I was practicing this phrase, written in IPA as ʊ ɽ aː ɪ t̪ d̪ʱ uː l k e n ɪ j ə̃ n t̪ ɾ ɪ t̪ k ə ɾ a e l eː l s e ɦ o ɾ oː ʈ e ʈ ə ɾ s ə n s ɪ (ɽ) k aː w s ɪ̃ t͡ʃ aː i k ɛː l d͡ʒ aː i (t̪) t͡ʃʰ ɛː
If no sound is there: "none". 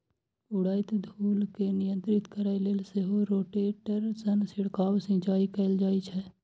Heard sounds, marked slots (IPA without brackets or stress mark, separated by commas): ɽ, none